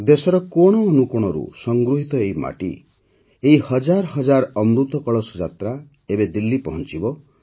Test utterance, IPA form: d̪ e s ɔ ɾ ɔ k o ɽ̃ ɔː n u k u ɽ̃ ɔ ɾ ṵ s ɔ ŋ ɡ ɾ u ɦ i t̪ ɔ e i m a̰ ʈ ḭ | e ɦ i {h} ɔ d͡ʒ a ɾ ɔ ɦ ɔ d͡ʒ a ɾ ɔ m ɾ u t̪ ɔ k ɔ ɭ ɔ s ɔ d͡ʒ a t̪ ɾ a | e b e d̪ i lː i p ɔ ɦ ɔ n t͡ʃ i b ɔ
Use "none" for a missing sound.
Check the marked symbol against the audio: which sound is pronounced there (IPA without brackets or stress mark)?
h